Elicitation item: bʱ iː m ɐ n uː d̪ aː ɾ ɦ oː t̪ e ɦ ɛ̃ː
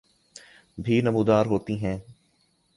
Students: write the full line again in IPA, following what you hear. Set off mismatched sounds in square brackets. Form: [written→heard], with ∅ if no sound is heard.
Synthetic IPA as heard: bʱ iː [m→n] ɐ [n→m] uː d̪ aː ɾ ɦ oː t̪ [e→i] ɦ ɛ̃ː